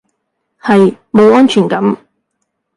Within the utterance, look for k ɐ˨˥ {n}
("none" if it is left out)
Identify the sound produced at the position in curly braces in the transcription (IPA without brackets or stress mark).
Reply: m